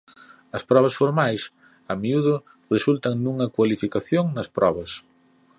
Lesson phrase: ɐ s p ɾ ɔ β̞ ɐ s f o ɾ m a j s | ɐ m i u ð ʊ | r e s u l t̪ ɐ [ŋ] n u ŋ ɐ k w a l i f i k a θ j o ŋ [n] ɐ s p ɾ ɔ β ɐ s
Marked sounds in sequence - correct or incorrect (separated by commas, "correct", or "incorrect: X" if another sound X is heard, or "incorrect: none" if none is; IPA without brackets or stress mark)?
correct, correct